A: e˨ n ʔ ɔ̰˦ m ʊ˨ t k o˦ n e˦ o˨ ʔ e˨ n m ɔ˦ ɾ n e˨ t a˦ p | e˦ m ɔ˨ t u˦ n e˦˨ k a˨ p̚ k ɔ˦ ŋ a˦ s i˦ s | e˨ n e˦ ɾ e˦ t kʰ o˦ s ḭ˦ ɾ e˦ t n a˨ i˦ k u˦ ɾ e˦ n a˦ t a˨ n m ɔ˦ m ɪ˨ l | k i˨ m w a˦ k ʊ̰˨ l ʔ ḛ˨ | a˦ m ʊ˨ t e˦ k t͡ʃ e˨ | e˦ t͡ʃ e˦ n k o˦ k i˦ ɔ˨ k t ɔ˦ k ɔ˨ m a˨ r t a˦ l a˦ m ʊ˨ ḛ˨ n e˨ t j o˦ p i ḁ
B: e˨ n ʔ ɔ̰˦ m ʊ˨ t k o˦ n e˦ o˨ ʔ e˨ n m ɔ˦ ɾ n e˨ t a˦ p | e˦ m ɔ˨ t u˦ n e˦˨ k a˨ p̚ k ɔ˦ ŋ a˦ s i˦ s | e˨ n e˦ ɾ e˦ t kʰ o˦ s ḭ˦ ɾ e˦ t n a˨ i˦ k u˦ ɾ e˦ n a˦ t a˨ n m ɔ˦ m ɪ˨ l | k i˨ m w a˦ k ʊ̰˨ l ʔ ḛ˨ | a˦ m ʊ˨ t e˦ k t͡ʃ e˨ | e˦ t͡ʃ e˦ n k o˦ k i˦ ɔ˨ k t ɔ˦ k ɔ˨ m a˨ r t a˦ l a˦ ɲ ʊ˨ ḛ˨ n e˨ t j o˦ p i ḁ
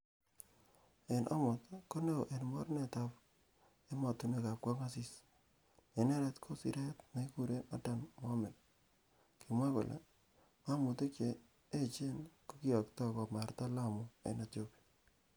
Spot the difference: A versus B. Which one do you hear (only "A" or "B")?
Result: A